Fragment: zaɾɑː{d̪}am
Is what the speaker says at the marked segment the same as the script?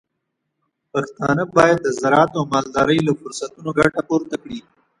no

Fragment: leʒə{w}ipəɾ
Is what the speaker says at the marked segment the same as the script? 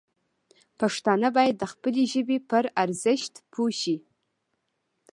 no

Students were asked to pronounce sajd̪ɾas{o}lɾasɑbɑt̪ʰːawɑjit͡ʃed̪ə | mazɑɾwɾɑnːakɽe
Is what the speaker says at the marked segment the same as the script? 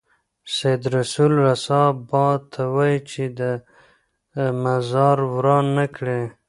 no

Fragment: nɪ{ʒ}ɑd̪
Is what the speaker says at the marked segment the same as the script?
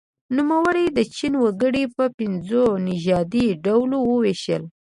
yes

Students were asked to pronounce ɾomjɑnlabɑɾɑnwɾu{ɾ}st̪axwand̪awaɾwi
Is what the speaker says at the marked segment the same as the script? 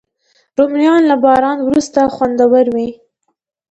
no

